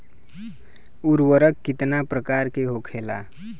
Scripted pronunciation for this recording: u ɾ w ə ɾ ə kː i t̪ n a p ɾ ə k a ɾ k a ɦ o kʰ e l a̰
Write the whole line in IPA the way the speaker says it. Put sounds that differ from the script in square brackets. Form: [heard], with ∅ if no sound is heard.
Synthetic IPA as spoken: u ɾ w ə ɾ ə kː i t̪ n a p ɾ ə k a ɾ k [e] ɦ o kʰ e l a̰